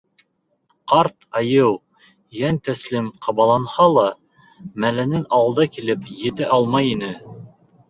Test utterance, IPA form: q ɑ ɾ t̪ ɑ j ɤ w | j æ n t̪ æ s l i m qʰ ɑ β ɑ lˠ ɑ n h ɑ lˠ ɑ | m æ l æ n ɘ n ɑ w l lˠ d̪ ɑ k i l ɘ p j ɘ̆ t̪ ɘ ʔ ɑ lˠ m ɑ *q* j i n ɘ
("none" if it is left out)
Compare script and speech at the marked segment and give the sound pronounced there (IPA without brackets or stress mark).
none